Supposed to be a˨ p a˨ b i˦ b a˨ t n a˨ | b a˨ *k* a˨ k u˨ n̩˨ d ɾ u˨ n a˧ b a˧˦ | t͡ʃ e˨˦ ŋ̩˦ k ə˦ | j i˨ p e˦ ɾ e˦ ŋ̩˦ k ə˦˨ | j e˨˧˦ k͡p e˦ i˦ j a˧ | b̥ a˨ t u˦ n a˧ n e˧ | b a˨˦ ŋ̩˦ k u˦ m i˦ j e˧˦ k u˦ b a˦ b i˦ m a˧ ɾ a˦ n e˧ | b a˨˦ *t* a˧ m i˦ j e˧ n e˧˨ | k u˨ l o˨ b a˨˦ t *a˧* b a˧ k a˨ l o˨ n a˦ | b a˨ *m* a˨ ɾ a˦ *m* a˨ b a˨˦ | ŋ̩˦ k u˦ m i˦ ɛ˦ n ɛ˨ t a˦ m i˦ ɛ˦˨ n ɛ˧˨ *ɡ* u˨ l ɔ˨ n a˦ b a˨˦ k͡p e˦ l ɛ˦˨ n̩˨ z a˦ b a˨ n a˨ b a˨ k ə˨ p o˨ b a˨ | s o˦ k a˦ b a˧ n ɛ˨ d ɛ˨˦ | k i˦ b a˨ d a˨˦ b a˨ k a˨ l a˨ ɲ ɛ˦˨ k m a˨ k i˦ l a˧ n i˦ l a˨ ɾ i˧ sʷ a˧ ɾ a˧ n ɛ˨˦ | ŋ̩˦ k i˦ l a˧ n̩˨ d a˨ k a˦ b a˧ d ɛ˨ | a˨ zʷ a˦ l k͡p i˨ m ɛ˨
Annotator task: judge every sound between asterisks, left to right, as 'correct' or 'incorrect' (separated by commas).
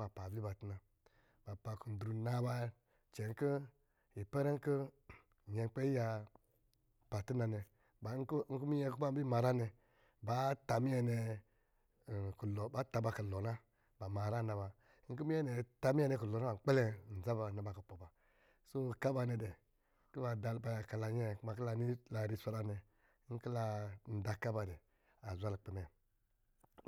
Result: incorrect, correct, correct, correct, incorrect, incorrect